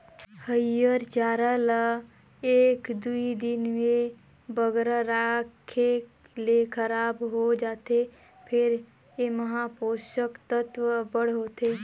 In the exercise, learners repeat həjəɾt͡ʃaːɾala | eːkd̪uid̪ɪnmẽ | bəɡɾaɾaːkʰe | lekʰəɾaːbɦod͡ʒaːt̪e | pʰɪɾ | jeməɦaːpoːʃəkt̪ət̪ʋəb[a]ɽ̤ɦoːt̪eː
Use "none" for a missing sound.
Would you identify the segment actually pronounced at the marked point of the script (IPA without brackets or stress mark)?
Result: ə